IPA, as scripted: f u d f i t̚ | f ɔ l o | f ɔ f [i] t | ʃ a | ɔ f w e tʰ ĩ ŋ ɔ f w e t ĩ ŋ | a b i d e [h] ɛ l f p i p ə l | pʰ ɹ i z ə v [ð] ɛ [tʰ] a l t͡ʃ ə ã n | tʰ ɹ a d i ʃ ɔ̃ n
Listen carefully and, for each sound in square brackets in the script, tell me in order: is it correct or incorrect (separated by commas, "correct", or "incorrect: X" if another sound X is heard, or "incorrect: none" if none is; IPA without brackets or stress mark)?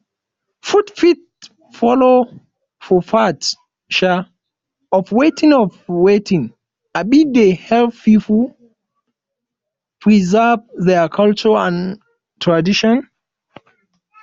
incorrect: a, correct, correct, incorrect: kʰ